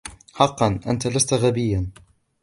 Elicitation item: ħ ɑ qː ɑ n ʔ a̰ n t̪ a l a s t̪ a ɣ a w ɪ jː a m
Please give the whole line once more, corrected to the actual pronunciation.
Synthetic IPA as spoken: ħ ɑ qː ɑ n ʔ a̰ n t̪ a l a s t̪ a ɣ a b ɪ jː a n